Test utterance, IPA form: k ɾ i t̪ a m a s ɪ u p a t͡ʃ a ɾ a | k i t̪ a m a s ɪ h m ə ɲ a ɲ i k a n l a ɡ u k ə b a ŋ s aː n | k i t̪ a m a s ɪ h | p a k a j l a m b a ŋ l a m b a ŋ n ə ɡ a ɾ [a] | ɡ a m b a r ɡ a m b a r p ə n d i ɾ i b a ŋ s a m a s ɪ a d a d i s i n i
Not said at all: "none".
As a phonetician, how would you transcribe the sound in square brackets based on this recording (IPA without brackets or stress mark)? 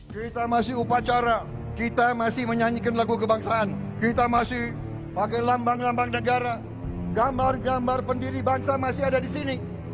a